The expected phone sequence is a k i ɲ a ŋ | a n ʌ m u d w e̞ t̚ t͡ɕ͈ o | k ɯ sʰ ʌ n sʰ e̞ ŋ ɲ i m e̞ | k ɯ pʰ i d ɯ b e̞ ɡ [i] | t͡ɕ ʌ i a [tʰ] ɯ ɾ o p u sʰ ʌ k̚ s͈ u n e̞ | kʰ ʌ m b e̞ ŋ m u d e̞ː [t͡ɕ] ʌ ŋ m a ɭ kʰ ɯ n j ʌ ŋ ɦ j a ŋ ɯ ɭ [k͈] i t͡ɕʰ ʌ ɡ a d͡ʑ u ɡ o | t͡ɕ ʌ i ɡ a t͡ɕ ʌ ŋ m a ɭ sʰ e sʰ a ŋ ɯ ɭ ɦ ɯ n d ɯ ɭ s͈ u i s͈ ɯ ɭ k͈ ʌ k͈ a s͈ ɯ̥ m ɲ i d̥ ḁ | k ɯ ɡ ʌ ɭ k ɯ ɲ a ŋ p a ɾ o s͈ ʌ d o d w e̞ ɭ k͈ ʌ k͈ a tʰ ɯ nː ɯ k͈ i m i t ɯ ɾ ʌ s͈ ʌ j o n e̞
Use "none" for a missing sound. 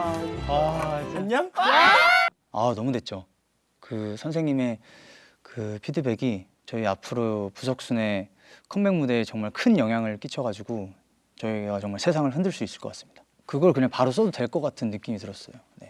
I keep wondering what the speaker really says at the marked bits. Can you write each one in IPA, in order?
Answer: i, pʰ, t͡ɕ, k͈

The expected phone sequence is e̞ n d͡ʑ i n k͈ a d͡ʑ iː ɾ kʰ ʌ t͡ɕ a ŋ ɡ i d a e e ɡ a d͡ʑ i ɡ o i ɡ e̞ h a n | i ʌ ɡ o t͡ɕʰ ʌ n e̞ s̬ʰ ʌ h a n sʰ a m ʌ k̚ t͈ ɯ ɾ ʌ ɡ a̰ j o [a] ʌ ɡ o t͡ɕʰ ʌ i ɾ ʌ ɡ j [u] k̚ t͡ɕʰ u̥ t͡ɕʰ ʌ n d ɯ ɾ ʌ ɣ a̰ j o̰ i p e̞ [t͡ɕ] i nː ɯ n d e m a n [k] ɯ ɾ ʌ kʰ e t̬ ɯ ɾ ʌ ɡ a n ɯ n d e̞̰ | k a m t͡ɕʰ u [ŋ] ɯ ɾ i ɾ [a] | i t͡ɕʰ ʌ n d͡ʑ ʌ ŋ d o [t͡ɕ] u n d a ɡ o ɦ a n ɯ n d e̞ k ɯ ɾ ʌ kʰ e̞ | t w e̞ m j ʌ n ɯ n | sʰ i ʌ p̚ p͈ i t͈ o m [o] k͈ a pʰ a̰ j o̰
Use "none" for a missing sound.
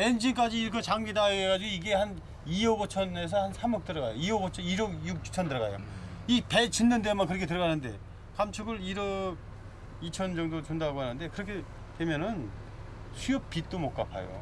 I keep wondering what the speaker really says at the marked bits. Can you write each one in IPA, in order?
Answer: i, u, t͡ɕ, k, ɡ, ʌ, t͡ɕ, o

